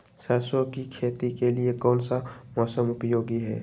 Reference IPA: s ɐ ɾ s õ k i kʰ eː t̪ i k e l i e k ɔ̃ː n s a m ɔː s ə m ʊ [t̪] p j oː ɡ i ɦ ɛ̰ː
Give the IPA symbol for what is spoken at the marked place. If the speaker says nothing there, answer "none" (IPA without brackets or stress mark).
none